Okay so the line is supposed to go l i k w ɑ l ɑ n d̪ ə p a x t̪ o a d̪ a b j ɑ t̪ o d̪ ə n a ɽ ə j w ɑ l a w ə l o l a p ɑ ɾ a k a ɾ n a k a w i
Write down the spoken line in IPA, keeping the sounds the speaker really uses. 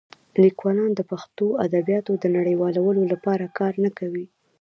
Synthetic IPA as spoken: l i k w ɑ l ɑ n d̪ ə p a x t̪ o a d̪ a b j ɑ t̪ o d̪ ə n a ɽ ə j w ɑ l a w ə l o l a p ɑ ɾ a k ɑ ɾ n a k a w i